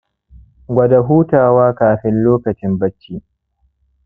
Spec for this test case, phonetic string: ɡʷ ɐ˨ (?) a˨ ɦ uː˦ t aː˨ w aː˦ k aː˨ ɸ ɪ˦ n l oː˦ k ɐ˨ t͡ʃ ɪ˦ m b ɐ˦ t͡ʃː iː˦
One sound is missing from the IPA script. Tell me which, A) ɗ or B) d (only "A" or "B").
B